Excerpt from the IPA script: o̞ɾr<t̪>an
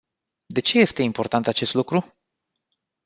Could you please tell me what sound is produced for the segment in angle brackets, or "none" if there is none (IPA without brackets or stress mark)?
t̪